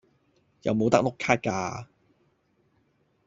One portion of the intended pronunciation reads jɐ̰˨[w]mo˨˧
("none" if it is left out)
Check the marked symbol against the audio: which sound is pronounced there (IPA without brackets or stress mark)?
w